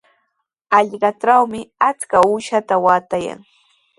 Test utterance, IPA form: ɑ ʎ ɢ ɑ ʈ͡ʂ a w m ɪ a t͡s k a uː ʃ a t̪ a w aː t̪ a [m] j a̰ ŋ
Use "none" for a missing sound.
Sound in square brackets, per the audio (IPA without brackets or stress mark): none